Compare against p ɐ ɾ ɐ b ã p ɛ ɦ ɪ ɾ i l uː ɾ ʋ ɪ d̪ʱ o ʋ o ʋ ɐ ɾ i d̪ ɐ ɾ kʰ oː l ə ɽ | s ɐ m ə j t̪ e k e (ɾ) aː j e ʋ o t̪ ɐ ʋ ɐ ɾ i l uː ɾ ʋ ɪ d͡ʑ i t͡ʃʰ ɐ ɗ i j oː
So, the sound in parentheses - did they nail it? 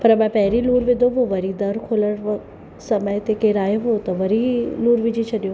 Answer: yes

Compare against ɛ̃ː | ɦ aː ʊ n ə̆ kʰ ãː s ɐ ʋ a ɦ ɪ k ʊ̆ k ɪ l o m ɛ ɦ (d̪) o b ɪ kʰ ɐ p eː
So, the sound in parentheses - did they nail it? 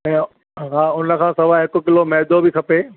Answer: yes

